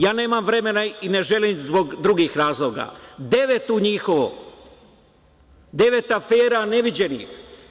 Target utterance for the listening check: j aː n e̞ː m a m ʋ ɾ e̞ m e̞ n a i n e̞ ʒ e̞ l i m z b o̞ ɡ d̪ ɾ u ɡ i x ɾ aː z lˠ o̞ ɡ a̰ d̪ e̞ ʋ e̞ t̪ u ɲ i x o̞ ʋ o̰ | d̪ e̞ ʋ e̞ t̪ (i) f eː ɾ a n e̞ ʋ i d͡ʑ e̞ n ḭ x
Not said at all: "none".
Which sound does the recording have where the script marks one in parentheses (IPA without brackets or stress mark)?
a